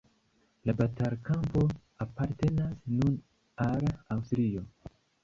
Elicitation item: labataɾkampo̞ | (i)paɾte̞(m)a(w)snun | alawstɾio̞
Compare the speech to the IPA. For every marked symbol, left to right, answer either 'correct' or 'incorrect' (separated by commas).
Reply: incorrect, incorrect, incorrect